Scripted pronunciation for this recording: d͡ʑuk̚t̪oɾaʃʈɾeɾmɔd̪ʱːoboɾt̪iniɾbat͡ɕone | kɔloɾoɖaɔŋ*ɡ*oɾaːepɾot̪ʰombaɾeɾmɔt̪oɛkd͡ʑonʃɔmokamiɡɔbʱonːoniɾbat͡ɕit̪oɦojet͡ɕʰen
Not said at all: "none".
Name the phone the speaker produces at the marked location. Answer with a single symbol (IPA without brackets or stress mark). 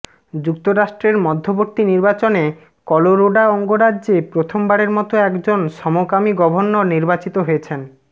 ɡ